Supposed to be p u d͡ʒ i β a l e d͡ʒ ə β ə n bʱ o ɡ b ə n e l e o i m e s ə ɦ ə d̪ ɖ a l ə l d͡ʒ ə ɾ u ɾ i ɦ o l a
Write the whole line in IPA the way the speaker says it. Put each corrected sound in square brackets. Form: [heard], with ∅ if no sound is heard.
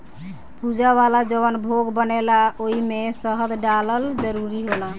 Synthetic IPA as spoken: p u d͡ʒ [a] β a l [a] d͡ʒ ə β ə n bʱ o ɡ b ə n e l [a] o i m e s ə ɦ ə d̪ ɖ a l ə l d͡ʒ ə ɾ u ɾ i ɦ o l a